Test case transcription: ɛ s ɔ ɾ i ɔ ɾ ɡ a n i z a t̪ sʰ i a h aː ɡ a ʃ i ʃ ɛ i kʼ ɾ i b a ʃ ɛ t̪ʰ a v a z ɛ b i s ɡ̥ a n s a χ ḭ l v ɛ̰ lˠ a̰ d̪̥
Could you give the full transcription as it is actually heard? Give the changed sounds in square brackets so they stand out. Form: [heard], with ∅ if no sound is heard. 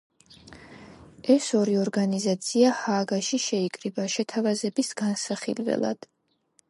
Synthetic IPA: ɛ s ɔ ɾ i ɔ ɾ ɡ a n i z a t̪ sʰ i a h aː ɡ a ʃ i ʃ ɛ i kʼ ɾ i b a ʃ ɛ t̪ʰ a v a z ɛ b i s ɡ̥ a n s a χ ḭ l v ɛ̰ lˠ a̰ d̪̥